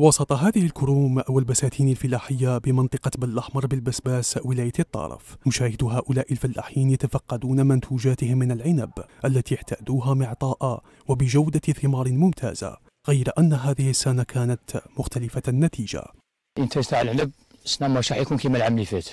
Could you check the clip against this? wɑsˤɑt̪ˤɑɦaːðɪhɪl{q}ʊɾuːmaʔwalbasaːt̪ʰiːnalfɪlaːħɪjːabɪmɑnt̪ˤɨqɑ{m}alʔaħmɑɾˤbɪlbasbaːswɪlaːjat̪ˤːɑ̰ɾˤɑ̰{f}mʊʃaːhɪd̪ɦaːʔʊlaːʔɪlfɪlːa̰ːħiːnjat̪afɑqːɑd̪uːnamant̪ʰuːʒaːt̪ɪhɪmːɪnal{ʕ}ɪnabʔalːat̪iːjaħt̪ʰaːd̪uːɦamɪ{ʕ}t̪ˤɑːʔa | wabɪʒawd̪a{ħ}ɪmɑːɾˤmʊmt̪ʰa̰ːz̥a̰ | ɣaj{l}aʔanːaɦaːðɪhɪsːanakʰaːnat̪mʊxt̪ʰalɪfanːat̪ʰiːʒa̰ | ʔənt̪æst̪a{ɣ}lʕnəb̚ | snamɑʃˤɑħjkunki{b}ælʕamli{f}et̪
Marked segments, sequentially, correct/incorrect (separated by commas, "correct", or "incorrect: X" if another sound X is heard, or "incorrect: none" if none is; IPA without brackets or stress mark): incorrect: k, incorrect: b, correct, correct, correct, incorrect: θ, incorrect: ɾ, incorrect: ʕ, incorrect: m, correct